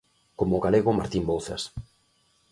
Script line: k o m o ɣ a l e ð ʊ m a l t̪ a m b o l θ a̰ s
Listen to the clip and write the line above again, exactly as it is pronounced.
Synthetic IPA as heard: k o m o ɣ a l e ɣ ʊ m a ɾ t̪ i m b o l θ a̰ s